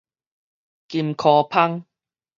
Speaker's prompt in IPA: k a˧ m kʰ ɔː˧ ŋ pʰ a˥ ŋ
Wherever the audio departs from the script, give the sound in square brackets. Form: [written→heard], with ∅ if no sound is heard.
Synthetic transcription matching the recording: k [a˧→i˧] m kʰ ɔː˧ [ŋ→∅] pʰ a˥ ŋ